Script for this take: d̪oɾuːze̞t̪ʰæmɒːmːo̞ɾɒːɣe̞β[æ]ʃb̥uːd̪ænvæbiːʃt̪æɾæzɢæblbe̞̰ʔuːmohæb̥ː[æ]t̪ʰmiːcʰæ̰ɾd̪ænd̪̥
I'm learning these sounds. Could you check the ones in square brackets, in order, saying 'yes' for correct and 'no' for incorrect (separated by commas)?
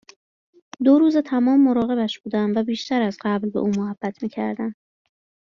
yes, yes